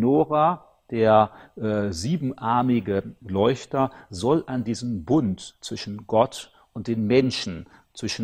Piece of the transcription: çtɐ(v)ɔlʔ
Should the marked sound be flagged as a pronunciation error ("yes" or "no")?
yes